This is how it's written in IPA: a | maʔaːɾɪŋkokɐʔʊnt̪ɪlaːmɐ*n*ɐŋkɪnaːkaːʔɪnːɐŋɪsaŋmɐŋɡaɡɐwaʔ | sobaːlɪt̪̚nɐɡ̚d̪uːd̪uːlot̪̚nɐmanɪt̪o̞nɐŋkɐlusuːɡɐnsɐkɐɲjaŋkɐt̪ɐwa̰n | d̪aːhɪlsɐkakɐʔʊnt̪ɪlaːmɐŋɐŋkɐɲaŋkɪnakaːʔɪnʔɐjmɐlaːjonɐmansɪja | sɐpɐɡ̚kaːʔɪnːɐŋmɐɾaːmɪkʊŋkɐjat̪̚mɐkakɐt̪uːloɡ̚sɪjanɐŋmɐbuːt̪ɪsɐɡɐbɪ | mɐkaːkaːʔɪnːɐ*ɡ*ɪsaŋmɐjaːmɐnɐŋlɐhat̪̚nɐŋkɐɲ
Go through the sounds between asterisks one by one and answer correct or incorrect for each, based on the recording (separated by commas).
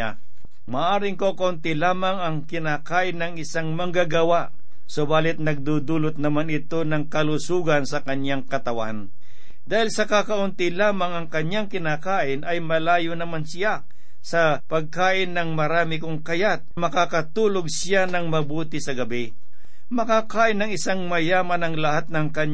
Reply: incorrect, incorrect